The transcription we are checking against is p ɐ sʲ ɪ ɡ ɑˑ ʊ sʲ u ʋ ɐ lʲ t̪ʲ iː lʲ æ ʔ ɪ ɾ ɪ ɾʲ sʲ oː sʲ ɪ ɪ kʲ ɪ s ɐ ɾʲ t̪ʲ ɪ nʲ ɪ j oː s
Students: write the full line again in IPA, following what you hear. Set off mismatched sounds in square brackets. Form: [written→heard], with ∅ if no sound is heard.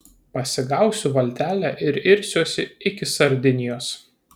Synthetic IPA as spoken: p ɐ sʲ ɪ ɡ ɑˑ ʊ sʲ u ʋ ɐ lʲ t̪ʲ [iː→æː] lʲ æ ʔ ɪ ɾ ɪ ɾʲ sʲ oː sʲ ɪ ɪ kʲ ɪ s ɐ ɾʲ [t̪ʲ→d̪ʲ] ɪ nʲ ɪ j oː s

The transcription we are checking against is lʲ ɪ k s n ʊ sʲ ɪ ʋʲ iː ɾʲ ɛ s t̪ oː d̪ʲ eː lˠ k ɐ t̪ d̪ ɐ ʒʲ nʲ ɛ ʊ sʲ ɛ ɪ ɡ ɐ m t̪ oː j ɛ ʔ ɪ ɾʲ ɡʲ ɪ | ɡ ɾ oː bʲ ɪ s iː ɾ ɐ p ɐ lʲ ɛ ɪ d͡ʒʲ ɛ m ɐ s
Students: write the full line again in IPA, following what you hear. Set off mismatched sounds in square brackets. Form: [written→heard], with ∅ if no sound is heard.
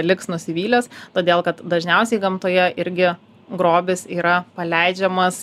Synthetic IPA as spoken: lʲ ɪ k s n ʊ sʲ ɪ ʋʲ iː [ɾʲ→lʲ] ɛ s t̪ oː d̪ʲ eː lˠ k ɐ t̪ d̪ ɐ ʒʲ nʲ ɛ ʊ sʲ ɛ ɪ ɡ ɐ m t̪ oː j ɛ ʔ ɪ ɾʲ ɡʲ ɪ | ɡ ɾ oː bʲ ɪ s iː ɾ ɐ p ɐ lʲ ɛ ɪ d͡ʒʲ ɛ m ɐ s

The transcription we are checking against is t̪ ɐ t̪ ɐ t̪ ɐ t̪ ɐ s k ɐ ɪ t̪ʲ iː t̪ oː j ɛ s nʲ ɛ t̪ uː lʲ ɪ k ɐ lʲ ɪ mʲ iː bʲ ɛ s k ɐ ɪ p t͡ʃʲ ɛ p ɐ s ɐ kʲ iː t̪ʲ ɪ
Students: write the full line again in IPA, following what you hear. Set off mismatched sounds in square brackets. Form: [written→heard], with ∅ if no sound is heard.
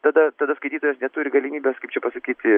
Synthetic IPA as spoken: t̪ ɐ [t̪→d̪] ɐ t̪ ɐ [t̪→d̪] ɐ s k ɐ ɪ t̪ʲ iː t̪ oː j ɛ s nʲ ɛ t̪ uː [lʲ→ɾʲ] ɪ [k→ɡ] ɐ lʲ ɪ mʲ iː bʲ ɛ s k ɐ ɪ p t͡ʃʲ ɛ p ɐ s ɐ kʲ iː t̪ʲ ɪ

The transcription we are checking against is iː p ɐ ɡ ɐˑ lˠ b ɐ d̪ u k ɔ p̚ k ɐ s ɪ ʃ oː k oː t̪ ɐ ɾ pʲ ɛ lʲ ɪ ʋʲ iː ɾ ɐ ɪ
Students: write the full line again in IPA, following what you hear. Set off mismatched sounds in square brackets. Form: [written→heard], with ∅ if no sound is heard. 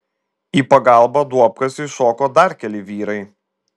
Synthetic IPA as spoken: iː p ɐ ɡ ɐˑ lˠ b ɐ d̪ u [k→∅] ɔ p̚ k ɐ s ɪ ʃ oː k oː [t̪→d̪] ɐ ɾ [pʲ→kʲ] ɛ lʲ ɪ ʋʲ iː ɾ ɐ ɪ

